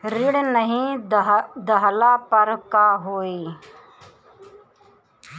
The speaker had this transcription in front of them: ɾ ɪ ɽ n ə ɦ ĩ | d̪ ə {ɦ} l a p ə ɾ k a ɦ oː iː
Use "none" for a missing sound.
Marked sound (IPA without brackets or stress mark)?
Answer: ɦ